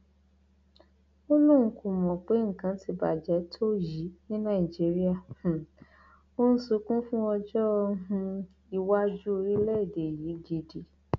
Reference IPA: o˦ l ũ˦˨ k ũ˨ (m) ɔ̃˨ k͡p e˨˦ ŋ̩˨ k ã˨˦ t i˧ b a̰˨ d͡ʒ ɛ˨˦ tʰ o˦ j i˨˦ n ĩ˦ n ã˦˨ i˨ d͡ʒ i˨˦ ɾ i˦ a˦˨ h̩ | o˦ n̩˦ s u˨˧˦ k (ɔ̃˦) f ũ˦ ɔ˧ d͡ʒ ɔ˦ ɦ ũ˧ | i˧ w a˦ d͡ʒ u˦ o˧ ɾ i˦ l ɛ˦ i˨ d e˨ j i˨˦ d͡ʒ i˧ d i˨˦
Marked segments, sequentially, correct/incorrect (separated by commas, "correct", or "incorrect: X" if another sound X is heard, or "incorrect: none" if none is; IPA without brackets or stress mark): correct, incorrect: ũ˦